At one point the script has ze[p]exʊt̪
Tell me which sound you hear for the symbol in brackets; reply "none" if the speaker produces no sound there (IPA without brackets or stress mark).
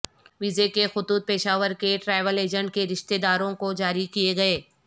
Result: k